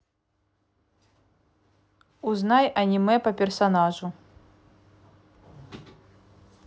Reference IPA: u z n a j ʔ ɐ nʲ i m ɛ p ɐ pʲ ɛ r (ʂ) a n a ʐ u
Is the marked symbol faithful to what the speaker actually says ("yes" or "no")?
no